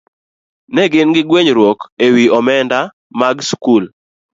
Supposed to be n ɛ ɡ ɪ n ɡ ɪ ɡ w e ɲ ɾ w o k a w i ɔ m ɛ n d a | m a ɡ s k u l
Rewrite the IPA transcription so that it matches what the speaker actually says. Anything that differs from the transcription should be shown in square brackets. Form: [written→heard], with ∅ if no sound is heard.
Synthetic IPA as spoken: n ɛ ɡ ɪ n ɡ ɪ ɡ w e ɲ ɾ w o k [a→e] w i ɔ m ɛ n d a | m a ɡ s k u l